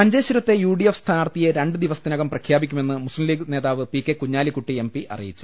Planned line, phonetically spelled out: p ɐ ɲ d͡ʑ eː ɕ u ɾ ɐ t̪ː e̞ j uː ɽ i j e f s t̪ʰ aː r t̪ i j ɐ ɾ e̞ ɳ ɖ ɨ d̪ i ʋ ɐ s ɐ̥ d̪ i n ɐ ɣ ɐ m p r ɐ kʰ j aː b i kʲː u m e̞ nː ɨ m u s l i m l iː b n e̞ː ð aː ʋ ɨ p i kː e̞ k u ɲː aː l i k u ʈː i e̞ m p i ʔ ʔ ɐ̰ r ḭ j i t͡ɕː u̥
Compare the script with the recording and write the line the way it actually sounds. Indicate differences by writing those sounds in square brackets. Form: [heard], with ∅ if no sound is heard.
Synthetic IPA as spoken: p ɐ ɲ d͡ʑ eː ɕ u ɾ ɐ t̪ː e̞ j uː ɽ i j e f s t̪ʰ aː r t̪ i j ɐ ɾ e̞ ɳ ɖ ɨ d̪ i ʋ ɐ s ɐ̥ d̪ i n ɐ ɣ ɐ m p r ɐ kʰ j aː b i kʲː u m e̞ nː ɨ m u s l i m l iː [ɡ] n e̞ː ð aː ʋ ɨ p i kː e̞ k u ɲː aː l i k u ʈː i e̞ m p i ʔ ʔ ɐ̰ r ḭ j i t͡ɕː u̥

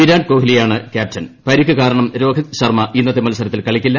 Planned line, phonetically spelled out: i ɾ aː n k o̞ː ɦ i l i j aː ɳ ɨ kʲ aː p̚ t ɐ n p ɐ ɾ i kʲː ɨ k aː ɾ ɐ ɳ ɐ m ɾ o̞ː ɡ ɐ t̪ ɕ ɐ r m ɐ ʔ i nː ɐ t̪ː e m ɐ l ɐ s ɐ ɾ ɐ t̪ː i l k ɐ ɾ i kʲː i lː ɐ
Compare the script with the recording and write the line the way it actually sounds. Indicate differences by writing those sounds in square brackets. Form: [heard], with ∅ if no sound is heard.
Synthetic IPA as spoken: i ɾ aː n k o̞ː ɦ i l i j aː ɳ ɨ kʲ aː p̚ t ɐ n p ɐ ɾ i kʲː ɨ k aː ɾ ɐ ɳ ɐ m ɾ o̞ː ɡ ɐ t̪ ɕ ɐ r m ɐ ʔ i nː ɐ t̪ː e m ɐ l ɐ s ɐ ɾ ɐ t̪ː i l k ɐ [ɭ] i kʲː i lː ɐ

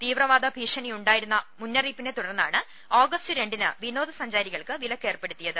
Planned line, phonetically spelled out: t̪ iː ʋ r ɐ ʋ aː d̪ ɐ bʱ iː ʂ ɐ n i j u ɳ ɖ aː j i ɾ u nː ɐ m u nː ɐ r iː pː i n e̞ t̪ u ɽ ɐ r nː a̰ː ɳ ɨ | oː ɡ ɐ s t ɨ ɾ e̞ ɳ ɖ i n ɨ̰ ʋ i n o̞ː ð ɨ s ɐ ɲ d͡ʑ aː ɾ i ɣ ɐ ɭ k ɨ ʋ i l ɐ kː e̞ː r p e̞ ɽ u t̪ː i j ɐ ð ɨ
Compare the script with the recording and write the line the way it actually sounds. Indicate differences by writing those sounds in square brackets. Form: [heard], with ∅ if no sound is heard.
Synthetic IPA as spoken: t̪ iː ʋ r ɐ ʋ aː d̪ ɐ bʱ iː ʂ ɐ n i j u ɳ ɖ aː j i ɾ u nː ɐ m u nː ɐ r iː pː i n e̞ t̪ u ɽ ɐ r nː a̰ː ɳ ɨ | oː ɡ ɐ s t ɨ ɾ e̞ ɳ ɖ i n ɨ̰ ʋ i n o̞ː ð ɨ s ɐ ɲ d͡ʑ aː ɾ i ɣ ɐ ɭ k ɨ ʋ i l ɐ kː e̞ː r p e̞ ɽ u t̪ː i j ɐ ð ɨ

